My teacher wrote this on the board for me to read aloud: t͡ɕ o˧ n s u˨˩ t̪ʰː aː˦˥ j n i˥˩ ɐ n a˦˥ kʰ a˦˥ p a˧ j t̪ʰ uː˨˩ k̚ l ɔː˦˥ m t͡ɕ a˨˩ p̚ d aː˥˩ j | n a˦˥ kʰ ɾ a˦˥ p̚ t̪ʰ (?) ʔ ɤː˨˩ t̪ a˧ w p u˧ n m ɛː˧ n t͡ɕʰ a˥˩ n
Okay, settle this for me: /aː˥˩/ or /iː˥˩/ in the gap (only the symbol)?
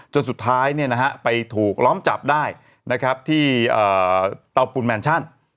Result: iː˥˩